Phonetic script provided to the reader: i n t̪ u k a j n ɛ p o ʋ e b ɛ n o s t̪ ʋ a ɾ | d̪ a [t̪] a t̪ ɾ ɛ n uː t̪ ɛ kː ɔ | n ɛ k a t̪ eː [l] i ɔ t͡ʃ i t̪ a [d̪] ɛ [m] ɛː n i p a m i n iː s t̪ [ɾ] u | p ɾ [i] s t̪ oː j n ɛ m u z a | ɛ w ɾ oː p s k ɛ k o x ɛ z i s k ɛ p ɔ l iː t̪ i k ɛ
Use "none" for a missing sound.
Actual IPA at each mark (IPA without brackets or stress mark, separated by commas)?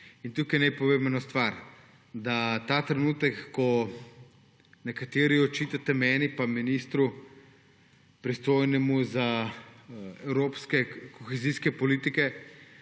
t̪, ɾ, t̪, m, ɾ, i